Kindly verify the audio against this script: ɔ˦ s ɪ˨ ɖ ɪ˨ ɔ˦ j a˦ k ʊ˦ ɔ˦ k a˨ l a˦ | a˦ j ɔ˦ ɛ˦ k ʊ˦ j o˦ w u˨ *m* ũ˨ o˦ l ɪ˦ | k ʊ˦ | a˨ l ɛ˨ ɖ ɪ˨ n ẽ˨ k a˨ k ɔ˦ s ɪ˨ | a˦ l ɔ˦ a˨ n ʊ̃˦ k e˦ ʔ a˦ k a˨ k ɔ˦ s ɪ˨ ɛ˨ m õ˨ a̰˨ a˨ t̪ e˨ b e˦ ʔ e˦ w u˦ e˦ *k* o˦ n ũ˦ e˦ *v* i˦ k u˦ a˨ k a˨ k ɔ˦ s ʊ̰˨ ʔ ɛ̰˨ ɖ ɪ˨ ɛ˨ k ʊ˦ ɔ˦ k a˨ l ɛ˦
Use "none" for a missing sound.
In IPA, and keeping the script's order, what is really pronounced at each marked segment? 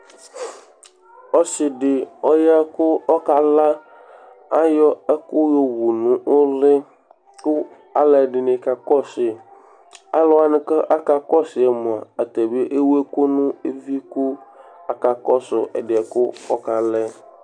n, k, v

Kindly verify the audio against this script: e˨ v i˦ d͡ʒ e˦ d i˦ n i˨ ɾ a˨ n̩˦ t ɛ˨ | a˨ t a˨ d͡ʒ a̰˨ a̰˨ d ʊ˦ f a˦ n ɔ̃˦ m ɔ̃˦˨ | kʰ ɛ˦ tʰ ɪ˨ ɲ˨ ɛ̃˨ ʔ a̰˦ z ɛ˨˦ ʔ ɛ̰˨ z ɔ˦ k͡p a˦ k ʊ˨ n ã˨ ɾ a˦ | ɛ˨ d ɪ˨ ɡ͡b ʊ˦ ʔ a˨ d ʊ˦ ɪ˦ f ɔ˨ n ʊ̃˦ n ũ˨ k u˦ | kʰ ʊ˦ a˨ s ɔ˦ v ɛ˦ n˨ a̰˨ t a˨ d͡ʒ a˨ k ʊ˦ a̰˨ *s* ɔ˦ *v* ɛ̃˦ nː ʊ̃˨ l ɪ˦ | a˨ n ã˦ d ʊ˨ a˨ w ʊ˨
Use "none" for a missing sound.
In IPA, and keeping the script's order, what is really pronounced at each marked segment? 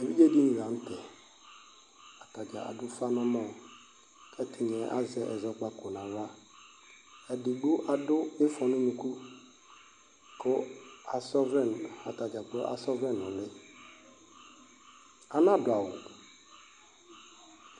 s, v

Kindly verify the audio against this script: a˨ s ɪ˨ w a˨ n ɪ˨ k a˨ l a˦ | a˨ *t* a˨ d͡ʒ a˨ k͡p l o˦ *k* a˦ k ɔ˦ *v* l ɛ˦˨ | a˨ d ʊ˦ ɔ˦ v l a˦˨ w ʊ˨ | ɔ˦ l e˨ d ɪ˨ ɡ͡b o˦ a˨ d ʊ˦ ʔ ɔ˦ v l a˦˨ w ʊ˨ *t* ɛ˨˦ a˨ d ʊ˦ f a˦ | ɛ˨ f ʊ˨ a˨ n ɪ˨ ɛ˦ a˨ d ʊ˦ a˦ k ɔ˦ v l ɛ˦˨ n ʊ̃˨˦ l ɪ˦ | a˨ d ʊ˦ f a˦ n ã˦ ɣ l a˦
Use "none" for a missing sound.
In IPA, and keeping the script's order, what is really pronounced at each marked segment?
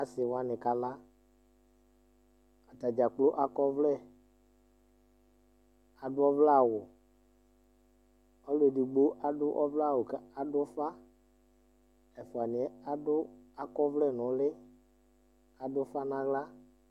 t, ʔ, v, k

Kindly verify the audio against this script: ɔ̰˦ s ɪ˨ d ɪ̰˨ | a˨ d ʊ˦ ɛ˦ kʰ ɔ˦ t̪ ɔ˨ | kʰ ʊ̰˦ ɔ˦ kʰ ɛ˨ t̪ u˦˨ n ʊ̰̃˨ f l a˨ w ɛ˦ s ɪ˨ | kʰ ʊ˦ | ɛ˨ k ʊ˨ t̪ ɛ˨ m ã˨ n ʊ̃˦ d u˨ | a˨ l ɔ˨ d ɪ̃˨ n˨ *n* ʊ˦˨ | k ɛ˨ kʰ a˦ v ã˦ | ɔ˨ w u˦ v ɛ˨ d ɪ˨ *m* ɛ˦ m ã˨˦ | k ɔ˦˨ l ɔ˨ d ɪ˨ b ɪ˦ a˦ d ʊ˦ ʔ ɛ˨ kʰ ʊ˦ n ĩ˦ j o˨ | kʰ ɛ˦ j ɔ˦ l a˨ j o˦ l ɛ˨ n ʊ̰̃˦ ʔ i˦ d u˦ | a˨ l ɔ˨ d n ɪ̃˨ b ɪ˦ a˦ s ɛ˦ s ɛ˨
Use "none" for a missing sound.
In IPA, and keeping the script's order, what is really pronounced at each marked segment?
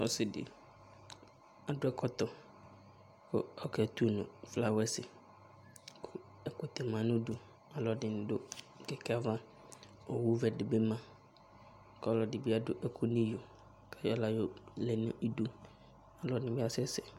d, b

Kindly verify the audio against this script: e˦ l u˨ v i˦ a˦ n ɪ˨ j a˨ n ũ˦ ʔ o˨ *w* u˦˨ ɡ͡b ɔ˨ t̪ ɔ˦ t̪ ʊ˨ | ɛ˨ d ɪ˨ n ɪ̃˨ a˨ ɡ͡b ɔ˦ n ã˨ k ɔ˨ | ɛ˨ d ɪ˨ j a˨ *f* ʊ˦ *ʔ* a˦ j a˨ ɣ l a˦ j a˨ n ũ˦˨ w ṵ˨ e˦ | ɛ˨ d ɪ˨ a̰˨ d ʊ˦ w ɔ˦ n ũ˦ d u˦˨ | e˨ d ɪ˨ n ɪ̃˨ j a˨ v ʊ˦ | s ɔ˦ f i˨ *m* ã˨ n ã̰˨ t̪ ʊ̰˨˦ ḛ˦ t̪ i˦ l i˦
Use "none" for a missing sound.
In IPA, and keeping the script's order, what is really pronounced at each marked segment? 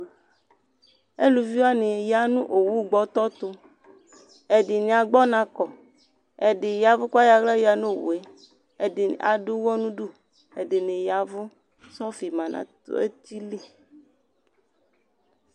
w, v, k, m

